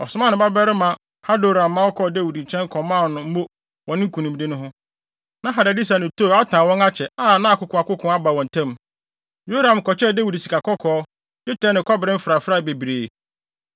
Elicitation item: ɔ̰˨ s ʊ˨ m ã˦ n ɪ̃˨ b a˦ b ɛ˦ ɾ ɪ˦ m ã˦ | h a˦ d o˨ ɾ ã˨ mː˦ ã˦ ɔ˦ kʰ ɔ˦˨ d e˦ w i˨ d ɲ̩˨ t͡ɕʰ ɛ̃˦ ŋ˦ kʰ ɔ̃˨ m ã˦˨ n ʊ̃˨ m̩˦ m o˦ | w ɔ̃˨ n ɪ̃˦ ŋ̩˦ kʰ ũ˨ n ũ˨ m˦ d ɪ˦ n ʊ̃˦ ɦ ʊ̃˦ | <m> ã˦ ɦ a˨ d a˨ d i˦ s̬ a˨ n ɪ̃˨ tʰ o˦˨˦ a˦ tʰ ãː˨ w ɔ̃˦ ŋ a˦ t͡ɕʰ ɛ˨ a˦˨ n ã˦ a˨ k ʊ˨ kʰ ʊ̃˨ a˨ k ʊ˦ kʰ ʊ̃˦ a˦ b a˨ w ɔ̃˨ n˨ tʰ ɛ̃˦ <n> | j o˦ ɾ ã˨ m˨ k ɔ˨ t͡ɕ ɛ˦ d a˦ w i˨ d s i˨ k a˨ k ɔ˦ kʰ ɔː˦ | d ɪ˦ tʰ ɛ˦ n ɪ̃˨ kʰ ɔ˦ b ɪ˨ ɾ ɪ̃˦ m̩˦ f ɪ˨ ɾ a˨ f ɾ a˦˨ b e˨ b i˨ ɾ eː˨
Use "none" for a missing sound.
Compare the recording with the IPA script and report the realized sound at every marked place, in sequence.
n, m

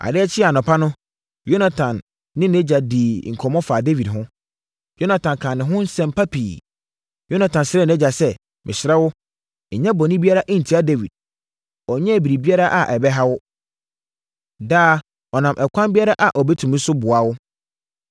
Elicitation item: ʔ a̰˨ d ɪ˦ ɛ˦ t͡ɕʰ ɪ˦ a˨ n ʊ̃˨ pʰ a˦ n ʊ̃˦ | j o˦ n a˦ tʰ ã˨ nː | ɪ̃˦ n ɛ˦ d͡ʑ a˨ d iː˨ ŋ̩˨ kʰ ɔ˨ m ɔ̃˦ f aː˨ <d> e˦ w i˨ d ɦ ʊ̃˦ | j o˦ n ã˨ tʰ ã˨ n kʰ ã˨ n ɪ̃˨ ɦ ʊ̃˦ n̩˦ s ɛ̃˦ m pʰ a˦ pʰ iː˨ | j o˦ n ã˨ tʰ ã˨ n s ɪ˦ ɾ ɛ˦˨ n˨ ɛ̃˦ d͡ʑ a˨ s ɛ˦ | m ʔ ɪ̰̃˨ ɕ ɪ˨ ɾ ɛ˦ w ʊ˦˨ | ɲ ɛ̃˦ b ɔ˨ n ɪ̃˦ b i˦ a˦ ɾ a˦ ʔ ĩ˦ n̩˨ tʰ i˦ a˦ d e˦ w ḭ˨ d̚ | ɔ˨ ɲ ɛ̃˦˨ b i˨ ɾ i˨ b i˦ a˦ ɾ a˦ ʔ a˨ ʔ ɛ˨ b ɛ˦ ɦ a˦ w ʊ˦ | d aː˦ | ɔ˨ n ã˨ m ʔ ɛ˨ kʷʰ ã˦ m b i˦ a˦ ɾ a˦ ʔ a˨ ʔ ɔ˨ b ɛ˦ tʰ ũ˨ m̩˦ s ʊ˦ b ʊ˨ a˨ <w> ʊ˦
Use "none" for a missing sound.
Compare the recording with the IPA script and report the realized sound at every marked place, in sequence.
d, w

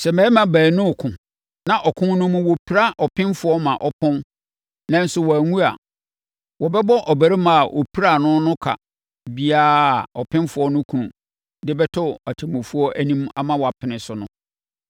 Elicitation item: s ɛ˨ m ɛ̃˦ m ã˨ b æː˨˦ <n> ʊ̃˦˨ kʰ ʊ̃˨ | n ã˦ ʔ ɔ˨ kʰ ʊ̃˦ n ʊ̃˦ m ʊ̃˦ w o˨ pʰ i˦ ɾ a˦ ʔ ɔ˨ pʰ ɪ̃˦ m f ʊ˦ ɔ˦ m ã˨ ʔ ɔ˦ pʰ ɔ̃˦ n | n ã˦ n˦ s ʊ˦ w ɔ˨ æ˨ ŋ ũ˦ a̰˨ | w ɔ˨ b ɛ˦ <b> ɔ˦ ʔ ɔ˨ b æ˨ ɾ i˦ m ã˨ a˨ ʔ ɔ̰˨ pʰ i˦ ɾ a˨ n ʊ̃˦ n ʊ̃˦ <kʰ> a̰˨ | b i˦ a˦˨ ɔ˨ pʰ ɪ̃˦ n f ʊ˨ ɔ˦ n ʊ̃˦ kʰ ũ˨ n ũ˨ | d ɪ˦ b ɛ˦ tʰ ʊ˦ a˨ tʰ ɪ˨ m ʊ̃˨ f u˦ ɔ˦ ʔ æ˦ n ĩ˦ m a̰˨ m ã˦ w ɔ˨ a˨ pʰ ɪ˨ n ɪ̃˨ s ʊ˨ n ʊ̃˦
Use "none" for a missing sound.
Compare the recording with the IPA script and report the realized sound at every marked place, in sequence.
n, b, kʰ

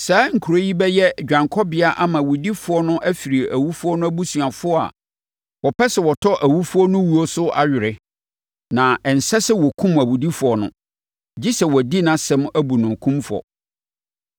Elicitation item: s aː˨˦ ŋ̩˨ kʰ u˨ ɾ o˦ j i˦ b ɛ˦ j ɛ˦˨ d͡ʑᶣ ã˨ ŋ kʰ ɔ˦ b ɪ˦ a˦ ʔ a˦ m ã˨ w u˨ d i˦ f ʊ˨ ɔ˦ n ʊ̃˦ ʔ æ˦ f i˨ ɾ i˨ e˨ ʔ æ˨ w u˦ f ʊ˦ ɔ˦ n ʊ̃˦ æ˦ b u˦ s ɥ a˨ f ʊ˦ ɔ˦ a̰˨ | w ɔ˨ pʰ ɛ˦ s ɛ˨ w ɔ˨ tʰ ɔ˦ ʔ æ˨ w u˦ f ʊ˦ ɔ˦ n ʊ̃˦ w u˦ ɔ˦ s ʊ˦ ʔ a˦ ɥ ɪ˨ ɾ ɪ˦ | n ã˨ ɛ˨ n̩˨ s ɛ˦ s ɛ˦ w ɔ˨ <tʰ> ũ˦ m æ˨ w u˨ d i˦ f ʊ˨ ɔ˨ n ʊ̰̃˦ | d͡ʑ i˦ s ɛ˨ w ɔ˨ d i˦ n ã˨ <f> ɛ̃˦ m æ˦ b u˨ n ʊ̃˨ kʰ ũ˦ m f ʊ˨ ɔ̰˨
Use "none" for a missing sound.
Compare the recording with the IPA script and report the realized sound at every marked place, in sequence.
kʰ, s

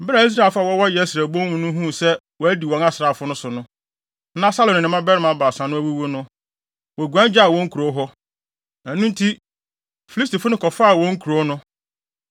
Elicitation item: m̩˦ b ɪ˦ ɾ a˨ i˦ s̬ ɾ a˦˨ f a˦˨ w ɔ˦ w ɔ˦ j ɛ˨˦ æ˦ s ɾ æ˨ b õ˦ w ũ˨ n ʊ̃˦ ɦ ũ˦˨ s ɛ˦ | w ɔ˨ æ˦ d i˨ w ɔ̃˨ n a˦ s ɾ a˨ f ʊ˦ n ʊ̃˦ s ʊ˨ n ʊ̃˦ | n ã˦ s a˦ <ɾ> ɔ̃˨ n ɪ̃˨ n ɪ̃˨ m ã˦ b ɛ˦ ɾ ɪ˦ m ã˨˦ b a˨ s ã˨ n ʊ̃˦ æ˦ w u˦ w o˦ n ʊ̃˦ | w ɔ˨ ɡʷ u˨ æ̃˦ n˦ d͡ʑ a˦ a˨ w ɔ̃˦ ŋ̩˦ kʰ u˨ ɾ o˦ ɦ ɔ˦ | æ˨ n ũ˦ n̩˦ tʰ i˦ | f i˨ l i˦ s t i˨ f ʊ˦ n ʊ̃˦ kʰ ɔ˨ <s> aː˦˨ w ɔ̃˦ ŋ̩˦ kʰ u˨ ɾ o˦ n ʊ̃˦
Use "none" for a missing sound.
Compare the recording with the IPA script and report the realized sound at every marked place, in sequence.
l, f

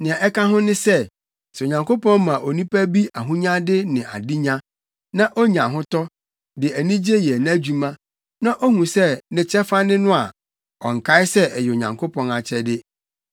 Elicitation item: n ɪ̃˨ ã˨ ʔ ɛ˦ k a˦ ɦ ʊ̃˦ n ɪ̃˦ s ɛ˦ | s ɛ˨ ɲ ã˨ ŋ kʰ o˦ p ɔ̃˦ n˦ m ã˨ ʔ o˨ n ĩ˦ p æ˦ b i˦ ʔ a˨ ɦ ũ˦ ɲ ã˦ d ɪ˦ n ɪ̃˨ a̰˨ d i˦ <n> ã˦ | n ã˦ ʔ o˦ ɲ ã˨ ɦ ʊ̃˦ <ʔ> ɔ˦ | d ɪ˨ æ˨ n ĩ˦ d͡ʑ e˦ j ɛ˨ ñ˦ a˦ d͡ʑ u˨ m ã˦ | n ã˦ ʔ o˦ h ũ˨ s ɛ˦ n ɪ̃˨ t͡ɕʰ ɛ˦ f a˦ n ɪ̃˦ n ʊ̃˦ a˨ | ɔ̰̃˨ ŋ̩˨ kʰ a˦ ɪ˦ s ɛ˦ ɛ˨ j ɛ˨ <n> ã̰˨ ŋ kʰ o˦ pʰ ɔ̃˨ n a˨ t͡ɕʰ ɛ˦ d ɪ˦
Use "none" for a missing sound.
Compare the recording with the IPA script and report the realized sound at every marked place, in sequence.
ɲ, t, ɲ

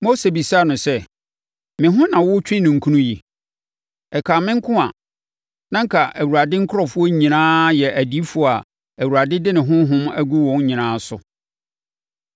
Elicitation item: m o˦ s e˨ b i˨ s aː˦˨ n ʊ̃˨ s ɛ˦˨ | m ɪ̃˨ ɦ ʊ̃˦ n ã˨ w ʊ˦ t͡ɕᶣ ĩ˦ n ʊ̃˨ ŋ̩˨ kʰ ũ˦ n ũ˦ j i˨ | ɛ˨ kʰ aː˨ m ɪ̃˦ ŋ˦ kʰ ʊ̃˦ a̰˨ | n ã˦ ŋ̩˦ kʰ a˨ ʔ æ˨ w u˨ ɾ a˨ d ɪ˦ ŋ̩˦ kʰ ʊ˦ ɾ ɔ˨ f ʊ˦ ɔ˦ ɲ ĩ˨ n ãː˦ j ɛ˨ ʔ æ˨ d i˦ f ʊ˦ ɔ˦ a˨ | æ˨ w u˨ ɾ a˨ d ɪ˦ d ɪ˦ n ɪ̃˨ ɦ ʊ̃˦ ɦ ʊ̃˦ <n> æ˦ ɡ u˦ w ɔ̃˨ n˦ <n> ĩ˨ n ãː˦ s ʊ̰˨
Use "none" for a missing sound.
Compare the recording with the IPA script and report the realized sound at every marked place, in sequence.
m, ɲ

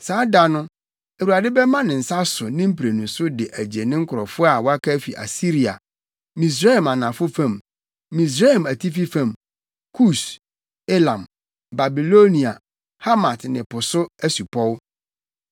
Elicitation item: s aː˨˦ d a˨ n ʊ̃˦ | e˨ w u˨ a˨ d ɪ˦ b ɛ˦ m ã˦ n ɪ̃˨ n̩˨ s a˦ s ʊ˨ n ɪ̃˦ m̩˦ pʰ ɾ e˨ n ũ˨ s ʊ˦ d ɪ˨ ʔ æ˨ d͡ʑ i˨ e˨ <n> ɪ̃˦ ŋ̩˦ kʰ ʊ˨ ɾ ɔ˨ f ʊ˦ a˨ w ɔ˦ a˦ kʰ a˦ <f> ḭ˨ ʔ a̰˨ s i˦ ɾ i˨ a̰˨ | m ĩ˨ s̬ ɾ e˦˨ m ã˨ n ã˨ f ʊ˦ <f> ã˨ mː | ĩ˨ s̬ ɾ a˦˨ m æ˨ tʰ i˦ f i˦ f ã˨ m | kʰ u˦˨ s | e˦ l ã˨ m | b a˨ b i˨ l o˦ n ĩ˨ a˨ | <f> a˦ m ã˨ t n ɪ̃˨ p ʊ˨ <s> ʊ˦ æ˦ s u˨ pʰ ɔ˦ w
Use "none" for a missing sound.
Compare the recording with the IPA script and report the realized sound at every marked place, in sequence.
n, f, f, h, s

